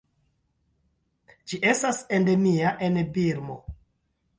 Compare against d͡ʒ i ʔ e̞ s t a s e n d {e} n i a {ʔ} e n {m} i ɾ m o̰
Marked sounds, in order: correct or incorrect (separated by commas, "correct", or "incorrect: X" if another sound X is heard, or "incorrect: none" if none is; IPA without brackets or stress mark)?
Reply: correct, correct, incorrect: b